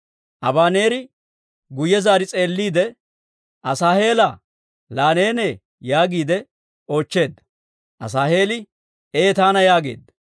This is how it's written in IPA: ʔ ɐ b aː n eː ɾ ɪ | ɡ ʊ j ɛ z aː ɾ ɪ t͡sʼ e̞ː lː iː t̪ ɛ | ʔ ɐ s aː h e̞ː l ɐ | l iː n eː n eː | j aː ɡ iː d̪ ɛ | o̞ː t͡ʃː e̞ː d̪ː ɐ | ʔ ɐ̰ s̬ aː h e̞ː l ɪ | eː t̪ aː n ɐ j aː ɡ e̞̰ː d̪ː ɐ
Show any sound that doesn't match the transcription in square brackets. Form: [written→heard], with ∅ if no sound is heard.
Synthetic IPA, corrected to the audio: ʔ ɐ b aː n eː ɾ ɪ | ɡ ʊ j ɛ z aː ɾ ɪ t͡sʼ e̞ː lː iː [t̪→d̪] ɛ | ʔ ɐ s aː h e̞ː l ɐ | l [iː→aː] n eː n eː | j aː ɡ iː d̪ ɛ | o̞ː t͡ʃː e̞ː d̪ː ɐ | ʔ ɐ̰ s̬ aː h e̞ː l ɪ | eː t̪ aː n ɐ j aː ɡ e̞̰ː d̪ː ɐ